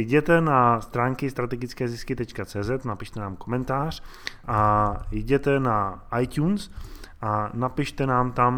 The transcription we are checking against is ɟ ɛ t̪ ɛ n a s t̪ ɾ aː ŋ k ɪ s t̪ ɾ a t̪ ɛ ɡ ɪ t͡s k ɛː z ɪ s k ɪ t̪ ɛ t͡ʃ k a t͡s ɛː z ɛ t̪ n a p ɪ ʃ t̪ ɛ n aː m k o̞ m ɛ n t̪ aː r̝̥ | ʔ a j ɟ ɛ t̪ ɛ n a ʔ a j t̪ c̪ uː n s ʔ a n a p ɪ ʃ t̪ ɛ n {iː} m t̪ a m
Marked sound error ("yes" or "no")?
yes